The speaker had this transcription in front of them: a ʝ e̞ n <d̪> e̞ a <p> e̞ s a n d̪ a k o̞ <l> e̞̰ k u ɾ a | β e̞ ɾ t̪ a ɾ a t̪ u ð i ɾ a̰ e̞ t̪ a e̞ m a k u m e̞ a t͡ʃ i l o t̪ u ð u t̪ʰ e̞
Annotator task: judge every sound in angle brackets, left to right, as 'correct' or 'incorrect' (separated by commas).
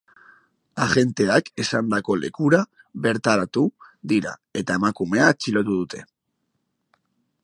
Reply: incorrect, incorrect, correct